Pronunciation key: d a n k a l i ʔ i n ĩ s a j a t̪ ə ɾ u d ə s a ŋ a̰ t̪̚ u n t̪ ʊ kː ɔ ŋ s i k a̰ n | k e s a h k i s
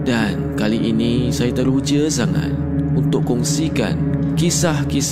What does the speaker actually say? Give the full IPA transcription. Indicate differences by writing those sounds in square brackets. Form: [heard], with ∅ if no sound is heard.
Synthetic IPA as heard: d a n k a l i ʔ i n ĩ s a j a t̪ ə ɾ u [d͡ʒ] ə s a ŋ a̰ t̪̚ u n t̪ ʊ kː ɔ ŋ s i k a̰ n | k [i] s a h k i s